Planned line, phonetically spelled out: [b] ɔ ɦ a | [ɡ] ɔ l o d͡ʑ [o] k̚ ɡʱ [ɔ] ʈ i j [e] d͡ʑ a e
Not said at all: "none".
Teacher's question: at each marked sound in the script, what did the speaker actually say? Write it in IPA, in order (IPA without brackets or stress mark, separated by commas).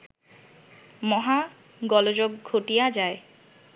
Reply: m, ɡ, o, o, a